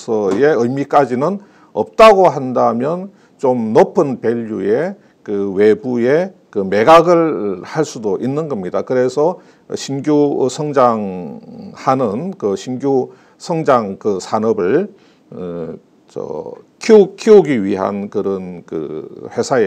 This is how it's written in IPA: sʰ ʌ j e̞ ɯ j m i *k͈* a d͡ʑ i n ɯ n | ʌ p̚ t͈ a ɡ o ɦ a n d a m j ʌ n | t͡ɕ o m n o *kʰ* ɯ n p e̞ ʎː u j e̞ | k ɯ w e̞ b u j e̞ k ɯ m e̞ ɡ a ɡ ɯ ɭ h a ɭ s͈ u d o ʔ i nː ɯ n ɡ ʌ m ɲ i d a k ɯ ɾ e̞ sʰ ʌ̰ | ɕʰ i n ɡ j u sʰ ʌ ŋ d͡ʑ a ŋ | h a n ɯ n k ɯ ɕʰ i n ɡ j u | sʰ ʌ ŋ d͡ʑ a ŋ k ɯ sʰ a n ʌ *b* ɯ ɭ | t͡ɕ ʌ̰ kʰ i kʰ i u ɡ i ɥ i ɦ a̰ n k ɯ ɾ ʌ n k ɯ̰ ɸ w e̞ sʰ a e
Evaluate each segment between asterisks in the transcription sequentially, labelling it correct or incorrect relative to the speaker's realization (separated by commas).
correct, incorrect, correct